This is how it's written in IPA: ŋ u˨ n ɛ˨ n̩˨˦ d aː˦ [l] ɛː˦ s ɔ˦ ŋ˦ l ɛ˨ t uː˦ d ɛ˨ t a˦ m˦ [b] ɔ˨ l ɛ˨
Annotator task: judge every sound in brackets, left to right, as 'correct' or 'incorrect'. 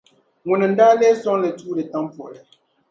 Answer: correct, incorrect

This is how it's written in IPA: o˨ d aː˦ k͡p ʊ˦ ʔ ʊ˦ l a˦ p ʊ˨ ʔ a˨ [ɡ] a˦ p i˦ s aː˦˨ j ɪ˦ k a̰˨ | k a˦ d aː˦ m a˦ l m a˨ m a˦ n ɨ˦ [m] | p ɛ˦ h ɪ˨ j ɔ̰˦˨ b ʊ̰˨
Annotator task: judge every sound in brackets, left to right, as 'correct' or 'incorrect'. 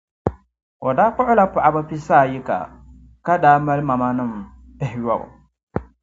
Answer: incorrect, correct

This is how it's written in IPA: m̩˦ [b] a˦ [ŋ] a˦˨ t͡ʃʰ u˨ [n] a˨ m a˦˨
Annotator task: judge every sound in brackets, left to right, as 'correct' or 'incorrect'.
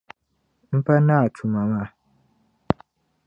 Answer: incorrect, incorrect, incorrect

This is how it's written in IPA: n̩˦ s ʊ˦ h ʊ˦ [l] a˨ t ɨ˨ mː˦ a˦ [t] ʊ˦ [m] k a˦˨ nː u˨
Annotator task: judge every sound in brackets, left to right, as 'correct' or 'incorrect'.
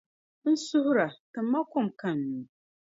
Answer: incorrect, incorrect, correct

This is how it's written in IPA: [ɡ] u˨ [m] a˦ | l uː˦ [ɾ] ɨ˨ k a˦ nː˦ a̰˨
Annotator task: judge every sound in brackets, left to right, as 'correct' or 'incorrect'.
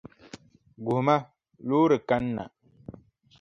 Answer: correct, correct, correct

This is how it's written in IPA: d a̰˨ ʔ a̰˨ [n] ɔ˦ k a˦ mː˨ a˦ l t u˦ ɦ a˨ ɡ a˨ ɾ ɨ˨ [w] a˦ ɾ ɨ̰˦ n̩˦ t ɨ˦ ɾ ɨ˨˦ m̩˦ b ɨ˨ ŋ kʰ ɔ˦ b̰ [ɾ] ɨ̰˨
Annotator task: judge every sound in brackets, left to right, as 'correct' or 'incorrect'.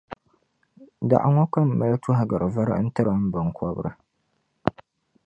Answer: incorrect, incorrect, correct

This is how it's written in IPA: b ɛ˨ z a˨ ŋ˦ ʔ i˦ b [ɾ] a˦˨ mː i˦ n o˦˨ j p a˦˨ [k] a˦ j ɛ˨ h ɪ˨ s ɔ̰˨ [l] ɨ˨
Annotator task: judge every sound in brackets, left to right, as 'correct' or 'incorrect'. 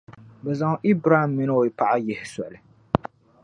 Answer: correct, incorrect, correct

